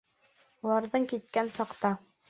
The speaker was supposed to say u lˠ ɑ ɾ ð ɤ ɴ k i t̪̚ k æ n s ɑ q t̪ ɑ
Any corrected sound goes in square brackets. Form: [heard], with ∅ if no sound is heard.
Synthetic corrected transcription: u lˠ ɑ ɾ ð ɤ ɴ k i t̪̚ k æ n s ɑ q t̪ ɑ